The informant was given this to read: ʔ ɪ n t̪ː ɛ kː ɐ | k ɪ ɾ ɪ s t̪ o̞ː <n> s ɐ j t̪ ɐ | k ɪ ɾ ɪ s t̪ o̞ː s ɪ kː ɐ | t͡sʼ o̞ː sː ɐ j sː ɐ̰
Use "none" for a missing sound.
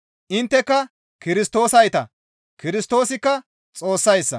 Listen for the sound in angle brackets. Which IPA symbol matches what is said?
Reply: none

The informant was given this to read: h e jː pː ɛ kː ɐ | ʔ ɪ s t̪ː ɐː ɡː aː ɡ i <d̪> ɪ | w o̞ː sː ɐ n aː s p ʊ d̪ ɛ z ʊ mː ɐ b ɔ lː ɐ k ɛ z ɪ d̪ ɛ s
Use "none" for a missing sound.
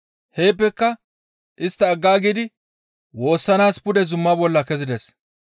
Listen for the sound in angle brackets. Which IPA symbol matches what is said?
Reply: d̪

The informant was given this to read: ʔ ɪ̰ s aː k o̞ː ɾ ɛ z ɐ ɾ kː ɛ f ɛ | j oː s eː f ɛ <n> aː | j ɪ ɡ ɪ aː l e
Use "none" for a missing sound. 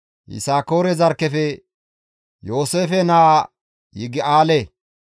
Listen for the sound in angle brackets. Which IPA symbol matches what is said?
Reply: n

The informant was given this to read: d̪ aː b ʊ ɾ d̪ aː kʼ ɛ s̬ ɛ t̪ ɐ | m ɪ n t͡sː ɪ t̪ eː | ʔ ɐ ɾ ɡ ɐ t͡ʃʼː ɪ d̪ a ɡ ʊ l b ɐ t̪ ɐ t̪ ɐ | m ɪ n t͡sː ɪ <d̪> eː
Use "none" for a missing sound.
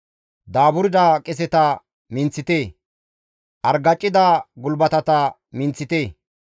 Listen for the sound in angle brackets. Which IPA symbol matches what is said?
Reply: t̪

